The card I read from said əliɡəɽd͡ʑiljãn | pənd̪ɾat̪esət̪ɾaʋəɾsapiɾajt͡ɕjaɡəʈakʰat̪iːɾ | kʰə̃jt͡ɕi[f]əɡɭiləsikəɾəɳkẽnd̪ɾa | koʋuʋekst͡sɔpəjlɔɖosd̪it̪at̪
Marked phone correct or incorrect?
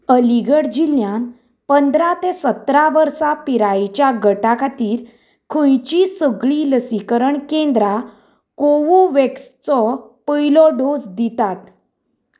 incorrect